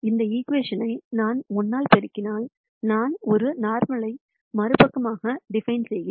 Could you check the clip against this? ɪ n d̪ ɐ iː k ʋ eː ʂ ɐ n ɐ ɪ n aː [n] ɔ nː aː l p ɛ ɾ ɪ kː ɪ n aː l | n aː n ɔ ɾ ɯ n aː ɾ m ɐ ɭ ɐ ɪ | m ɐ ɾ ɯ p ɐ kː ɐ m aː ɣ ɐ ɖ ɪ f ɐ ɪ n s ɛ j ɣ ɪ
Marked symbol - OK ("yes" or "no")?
yes